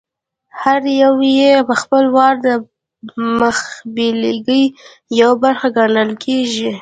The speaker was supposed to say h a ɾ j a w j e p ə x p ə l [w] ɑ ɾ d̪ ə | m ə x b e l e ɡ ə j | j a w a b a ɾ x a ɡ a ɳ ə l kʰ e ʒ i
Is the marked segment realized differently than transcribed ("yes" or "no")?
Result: no